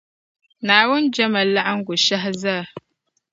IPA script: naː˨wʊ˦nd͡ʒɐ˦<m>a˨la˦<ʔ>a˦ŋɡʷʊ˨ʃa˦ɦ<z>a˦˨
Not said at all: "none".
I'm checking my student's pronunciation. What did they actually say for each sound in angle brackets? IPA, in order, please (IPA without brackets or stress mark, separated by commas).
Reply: m, ʔ, z